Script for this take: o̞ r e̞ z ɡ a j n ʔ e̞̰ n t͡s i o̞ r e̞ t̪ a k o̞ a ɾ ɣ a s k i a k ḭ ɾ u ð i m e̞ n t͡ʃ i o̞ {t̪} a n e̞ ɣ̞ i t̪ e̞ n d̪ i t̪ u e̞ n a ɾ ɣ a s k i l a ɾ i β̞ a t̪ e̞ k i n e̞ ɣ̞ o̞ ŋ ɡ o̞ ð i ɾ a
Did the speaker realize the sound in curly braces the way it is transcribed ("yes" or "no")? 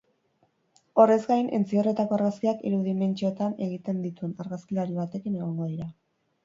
yes